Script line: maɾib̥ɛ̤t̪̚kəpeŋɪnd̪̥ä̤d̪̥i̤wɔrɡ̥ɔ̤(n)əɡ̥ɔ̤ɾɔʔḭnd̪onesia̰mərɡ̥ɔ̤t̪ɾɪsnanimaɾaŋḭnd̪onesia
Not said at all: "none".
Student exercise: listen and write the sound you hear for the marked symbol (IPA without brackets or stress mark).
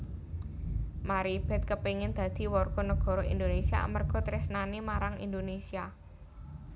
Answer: n